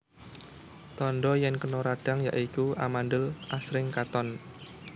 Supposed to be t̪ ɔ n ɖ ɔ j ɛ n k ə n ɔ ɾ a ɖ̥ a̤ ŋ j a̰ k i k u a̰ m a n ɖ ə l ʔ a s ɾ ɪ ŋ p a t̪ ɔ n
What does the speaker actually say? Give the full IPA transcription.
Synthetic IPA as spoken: t̪ ɔ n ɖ ɔ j ɛ n k ə n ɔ ɾ a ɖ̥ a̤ ŋ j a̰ ʔ i k u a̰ m a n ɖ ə l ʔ a s ɾ ɪ ŋ k a t̪ ɔ n